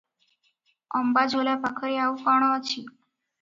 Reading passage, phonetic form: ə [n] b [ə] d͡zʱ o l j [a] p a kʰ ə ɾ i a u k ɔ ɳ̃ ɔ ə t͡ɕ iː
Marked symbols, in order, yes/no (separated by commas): no, no, yes